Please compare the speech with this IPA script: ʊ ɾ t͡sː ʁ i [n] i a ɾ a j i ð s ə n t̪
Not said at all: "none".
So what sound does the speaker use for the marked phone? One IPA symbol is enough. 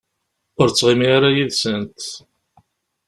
m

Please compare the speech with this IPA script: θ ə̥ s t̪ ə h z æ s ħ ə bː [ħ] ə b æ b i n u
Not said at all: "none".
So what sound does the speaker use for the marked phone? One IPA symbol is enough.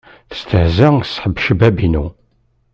ʃ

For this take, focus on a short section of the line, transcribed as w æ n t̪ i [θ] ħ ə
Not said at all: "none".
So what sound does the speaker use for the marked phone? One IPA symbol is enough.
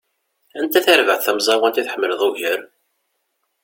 θ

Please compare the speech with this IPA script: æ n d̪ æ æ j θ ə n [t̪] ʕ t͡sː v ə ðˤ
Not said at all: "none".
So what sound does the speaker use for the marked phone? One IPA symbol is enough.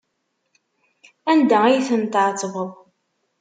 t̪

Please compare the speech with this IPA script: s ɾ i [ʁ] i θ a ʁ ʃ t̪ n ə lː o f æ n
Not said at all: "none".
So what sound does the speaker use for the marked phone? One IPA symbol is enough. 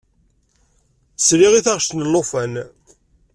ʁ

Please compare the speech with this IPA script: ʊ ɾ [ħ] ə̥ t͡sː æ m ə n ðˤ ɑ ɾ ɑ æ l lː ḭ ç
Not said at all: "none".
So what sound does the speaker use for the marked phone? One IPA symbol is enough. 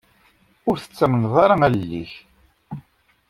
θ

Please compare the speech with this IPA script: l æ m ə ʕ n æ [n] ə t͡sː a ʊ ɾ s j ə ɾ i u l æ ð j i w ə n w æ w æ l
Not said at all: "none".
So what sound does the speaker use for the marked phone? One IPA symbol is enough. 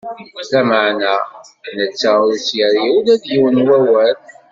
n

